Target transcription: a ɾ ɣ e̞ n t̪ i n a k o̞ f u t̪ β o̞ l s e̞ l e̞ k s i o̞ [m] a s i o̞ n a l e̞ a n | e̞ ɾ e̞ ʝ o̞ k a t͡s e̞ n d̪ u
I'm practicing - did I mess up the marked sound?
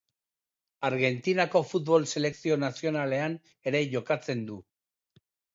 yes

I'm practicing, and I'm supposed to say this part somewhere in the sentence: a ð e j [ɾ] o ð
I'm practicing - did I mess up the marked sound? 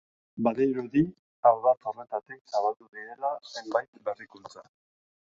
no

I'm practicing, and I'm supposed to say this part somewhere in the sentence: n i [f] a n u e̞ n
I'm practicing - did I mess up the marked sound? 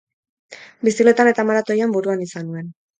yes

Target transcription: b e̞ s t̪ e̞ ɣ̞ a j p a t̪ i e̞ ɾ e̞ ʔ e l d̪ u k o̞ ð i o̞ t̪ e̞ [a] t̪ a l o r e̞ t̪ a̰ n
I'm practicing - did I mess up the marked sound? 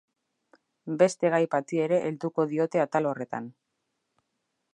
no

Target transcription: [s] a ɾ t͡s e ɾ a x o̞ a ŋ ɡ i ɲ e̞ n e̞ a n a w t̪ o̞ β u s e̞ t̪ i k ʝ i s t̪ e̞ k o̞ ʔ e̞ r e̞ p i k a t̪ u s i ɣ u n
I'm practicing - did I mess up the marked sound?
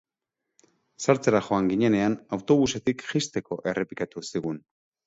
no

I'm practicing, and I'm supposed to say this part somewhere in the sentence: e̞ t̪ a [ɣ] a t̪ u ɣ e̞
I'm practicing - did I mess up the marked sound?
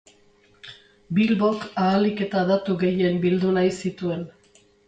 yes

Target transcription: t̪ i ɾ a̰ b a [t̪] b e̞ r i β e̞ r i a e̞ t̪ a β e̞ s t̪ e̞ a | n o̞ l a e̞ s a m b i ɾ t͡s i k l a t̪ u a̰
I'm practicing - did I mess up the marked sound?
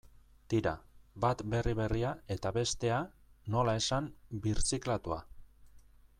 no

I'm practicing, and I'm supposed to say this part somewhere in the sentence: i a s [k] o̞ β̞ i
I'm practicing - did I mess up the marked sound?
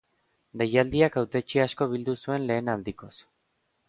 no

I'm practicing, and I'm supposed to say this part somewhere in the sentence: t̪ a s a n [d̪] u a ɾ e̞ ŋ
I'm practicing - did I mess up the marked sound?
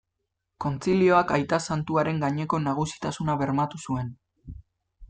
yes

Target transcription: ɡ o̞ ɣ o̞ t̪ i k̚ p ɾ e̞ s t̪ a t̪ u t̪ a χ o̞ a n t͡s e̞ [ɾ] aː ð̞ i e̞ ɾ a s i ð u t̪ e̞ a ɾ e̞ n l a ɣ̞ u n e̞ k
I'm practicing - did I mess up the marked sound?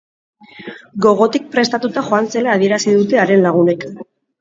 yes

